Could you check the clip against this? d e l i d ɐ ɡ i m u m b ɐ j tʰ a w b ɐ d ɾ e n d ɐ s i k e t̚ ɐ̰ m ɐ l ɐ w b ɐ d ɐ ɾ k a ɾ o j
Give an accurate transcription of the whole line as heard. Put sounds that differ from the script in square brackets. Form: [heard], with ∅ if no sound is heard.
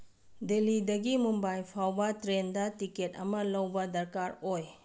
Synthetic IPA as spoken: d e l i d ɐ ɡ i m u m b [a] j [pʰ] a w b ɐ [t] ɾ e n d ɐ [t] i k e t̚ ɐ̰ m ɐ l ɐ w b ɐ d ɐ ɾ k a ɾ o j